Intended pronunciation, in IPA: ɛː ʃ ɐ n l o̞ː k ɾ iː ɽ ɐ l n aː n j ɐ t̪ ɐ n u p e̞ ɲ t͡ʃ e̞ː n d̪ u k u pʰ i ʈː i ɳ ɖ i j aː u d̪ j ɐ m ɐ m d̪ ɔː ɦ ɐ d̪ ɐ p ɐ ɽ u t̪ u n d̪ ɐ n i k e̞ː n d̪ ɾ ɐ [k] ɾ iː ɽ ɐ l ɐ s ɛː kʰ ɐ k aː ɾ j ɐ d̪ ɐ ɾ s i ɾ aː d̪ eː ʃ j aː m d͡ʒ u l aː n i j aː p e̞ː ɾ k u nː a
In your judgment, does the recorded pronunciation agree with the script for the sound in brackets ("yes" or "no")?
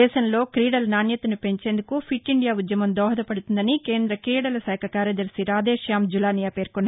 yes